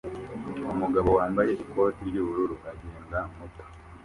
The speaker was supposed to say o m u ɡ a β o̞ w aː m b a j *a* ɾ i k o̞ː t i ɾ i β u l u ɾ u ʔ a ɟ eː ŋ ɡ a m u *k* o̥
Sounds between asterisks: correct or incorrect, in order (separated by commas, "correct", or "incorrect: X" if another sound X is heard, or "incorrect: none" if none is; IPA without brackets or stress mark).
incorrect: e, incorrect: t